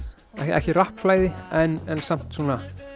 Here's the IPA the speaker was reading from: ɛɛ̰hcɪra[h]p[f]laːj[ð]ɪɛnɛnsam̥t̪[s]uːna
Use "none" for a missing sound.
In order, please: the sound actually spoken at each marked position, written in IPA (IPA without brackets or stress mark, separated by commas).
h, f, ð, s